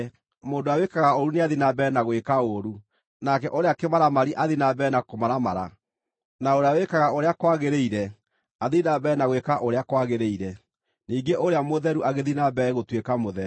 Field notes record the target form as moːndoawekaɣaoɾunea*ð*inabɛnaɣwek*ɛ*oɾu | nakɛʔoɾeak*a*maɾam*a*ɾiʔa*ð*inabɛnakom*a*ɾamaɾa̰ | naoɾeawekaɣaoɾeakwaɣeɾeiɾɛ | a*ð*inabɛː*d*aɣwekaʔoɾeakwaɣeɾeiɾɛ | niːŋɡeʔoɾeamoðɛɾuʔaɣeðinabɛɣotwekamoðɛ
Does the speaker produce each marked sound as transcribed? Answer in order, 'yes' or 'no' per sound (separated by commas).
yes, no, no, yes, yes, yes, yes, no